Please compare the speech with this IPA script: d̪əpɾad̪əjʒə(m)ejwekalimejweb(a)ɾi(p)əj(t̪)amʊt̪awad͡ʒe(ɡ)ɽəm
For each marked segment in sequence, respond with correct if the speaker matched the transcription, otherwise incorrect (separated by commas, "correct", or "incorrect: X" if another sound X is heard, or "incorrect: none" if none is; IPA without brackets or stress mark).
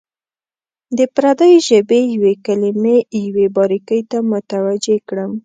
incorrect: b, incorrect: ɑ, incorrect: k, correct, incorrect: k